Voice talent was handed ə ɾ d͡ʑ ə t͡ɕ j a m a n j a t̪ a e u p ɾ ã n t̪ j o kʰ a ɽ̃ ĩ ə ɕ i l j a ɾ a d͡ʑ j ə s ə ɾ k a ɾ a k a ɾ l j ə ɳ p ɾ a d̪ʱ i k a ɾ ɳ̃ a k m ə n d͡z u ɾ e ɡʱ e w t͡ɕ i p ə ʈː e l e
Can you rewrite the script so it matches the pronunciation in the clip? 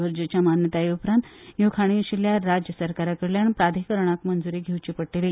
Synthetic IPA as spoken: ə ɾ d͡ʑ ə t͡ɕ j a m a n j ə t̪ a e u p ɾ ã n t̪ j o kʰ a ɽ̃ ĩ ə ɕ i l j a ɾ a d͡ʑ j ə s ə ɾ k a ɾ a k ə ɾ l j a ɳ p ɾ a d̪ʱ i k ə ɾ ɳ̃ a k m ə n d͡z u ɾ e ɡʱ e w t͡ɕ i p ə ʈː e l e